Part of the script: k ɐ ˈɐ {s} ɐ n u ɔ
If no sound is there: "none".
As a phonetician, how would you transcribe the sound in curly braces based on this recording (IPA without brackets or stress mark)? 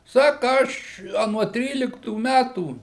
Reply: ʃ